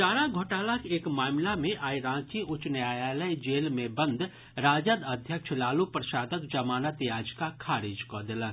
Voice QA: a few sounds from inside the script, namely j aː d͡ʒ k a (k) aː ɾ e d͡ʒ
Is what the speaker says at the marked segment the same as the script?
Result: no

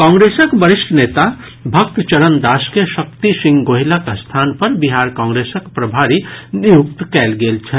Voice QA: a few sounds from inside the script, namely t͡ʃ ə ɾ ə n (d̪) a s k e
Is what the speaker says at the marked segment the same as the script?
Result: yes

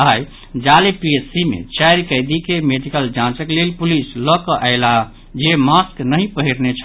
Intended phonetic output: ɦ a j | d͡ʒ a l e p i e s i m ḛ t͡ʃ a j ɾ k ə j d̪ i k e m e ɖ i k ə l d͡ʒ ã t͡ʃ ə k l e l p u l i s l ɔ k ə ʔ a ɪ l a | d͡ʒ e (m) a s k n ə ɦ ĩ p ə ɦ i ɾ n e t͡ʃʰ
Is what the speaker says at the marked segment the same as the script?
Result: yes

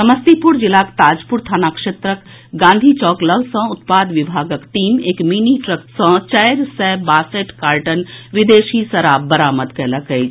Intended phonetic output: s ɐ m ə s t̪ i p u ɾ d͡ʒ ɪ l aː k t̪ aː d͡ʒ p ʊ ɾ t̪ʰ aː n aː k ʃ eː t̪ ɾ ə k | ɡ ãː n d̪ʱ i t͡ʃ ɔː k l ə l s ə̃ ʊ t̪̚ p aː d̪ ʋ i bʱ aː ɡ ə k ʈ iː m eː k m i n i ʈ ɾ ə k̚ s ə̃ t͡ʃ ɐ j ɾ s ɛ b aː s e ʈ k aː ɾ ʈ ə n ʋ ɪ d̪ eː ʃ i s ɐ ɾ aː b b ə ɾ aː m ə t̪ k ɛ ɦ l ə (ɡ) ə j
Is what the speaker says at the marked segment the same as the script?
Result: no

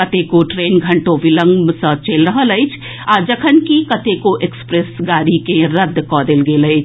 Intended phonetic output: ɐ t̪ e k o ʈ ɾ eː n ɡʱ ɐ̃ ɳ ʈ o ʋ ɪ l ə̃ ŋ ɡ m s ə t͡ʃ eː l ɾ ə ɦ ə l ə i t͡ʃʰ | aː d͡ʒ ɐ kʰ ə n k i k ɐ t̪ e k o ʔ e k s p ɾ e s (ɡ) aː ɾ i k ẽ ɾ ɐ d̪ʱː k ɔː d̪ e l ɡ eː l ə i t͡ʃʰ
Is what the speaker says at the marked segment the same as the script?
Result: yes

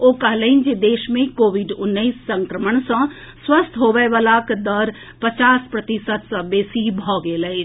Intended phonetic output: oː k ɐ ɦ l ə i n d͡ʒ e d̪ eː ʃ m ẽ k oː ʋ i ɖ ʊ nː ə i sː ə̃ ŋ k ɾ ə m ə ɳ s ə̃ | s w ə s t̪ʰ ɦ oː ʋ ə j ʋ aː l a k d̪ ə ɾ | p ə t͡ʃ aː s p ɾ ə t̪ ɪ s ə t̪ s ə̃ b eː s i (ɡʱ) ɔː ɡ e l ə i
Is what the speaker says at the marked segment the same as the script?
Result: no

